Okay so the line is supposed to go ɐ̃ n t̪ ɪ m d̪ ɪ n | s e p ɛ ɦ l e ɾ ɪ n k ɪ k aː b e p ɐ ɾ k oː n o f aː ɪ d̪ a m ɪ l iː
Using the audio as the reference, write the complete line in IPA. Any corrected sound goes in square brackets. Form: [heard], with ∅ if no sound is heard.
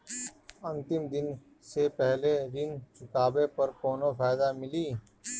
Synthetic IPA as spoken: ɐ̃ n t̪ ɪ m d̪ ɪ n | s e p ɛ ɦ l e ɾ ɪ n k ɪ k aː b e p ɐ ɾ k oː n o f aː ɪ d̪ a m ɪ l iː